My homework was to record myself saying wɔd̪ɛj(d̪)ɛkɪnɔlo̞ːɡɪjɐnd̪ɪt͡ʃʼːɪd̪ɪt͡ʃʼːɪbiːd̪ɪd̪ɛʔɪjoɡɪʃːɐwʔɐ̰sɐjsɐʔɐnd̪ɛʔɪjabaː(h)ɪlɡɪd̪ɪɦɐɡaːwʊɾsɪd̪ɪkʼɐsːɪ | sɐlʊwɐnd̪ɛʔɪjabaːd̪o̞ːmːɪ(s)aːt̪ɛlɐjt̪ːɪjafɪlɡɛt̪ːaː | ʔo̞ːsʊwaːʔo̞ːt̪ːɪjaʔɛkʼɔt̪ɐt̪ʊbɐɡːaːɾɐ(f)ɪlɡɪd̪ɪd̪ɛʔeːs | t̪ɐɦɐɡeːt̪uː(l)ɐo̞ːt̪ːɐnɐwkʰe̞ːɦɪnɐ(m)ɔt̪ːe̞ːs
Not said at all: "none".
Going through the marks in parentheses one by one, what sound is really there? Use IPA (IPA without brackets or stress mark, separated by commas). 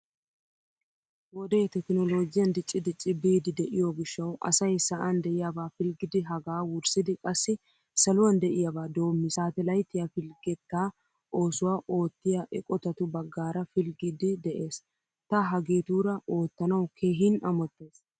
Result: t̪, f, s, f, ɾ, m